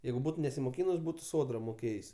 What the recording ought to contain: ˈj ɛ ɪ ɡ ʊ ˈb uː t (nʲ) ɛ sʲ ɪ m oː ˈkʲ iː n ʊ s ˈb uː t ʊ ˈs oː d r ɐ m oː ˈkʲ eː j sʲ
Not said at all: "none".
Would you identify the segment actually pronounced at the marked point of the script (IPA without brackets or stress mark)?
nʲ